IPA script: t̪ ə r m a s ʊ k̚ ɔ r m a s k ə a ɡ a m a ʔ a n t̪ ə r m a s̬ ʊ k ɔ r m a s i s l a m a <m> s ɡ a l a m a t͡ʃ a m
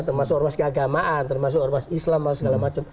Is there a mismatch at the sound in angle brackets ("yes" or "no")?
yes